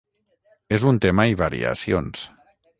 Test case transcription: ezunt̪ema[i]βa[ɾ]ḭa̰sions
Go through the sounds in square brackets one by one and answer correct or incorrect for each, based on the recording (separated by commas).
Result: correct, correct